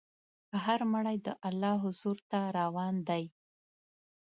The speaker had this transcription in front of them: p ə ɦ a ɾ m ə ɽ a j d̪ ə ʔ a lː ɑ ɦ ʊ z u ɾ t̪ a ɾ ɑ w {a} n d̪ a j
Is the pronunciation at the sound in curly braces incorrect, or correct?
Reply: incorrect